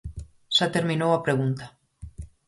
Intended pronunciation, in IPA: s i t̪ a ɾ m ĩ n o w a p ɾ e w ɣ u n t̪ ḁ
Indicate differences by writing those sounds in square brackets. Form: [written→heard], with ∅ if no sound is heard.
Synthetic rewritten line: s [i→a] t̪ [a→e] ɾ m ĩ n o w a p ɾ e [w→∅] ɣ u n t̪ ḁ